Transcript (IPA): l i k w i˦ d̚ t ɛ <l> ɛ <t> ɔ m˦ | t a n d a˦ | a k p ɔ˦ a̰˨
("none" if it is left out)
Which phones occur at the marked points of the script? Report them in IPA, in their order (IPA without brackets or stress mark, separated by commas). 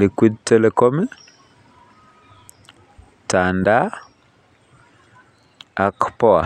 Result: l, k